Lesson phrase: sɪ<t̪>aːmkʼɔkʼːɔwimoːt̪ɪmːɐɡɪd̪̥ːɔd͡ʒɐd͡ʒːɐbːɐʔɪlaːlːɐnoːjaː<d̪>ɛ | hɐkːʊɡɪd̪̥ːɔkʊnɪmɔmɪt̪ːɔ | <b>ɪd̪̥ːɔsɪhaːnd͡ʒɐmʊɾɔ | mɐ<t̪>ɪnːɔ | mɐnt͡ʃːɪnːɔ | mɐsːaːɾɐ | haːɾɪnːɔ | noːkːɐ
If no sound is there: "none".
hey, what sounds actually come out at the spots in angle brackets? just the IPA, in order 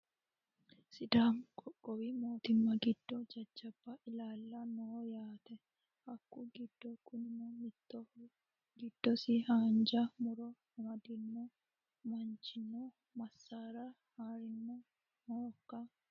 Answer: d̪, t̪, ɡ, d̪

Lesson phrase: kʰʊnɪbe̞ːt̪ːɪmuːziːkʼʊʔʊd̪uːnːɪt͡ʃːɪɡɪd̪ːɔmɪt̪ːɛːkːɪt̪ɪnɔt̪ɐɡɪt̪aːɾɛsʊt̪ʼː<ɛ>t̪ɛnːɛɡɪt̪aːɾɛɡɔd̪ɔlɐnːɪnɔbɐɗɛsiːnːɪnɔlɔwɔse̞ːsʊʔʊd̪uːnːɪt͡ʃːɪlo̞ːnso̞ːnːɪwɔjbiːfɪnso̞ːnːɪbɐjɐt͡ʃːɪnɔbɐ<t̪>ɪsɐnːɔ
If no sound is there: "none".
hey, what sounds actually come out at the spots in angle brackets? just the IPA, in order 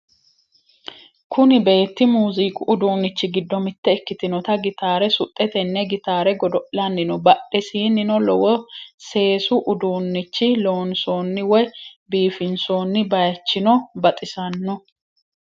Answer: ɛ, t̪ʼ

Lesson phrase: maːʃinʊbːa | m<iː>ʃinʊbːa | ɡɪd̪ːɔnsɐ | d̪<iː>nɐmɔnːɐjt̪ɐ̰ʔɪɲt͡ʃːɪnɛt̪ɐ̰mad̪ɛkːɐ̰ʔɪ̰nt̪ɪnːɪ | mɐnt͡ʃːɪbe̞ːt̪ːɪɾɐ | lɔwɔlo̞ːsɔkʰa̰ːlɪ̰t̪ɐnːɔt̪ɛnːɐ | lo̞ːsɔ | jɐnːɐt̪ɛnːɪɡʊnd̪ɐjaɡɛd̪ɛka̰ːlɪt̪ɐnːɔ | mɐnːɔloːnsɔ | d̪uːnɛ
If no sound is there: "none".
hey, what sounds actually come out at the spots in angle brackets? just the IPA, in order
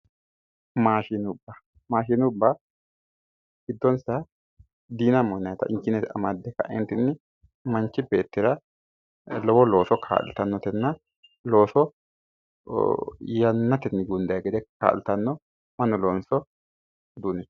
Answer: aː, iː

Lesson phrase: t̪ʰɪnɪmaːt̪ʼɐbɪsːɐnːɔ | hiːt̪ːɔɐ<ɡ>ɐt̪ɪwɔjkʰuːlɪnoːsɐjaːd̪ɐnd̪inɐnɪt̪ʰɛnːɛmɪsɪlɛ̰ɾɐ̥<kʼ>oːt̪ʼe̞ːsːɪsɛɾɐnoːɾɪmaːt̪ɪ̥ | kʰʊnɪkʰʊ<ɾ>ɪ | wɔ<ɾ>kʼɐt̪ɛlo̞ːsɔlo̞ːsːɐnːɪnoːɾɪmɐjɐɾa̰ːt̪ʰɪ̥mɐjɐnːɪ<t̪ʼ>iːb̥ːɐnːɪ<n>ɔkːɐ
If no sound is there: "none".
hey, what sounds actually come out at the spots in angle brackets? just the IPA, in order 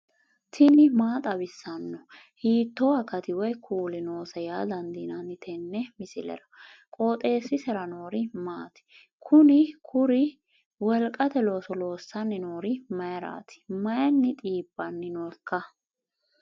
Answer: k, kʼ, ɾ, l, t̪ʼ, n

